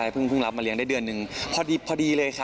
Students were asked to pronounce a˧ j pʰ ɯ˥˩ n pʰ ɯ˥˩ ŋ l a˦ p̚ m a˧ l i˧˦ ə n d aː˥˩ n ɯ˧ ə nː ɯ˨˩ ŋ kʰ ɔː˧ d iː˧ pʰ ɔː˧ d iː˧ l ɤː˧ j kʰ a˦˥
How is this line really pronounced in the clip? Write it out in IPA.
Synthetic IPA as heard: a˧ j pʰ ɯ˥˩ ŋ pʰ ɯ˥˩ ŋ l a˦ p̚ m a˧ l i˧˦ ə ŋ d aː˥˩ d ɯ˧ ə nː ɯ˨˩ ŋ pʰ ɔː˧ d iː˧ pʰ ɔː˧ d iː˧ l ɤː˧ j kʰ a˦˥